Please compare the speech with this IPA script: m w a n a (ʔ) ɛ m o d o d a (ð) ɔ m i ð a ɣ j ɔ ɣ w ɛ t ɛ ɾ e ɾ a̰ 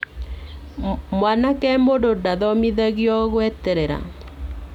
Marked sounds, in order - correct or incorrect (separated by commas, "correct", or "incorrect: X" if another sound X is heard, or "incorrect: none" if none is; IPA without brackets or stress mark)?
incorrect: k, correct